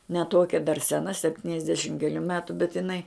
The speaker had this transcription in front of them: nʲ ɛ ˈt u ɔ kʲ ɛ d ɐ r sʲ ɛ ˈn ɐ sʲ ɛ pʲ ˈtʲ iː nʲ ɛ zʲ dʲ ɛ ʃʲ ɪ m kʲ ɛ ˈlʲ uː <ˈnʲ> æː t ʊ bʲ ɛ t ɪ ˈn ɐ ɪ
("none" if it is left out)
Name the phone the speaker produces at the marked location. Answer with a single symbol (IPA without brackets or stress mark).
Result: mʲ